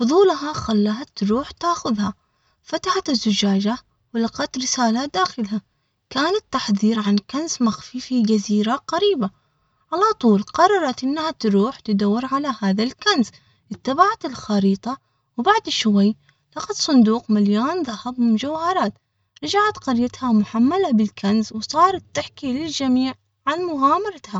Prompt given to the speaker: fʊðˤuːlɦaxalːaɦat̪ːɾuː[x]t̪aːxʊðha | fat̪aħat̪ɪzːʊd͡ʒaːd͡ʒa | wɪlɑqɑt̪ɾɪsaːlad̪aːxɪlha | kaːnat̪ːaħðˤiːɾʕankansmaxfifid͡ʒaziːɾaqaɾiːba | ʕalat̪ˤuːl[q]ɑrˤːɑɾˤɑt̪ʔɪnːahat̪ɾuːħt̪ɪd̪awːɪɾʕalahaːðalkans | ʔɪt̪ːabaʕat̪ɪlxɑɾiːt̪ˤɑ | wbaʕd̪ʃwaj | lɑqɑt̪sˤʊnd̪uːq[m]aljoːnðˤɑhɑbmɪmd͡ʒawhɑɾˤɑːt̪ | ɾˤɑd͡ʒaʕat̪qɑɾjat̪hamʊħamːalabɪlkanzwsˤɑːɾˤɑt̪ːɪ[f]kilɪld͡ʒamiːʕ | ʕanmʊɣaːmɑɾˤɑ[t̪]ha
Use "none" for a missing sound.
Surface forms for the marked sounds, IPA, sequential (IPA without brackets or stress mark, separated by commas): ħ, q, m, ħ, t̪